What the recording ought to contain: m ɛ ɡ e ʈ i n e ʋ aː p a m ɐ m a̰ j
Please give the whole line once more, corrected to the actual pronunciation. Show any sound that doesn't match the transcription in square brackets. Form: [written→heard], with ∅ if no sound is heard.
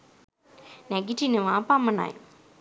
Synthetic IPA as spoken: [m→n] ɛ ɡ [e→i] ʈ i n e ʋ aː p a m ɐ [m→n] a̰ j